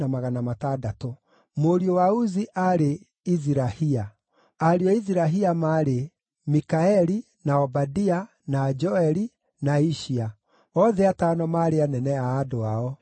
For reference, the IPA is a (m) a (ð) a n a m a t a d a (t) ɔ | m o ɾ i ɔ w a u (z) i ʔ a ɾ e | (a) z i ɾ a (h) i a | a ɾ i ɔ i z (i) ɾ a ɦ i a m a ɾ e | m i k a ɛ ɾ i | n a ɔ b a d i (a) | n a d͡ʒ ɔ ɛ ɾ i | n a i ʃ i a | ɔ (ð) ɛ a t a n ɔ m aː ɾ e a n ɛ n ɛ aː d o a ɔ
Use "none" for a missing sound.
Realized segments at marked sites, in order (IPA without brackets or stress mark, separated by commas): m, ɣ, t, z, i, h, i, a, ð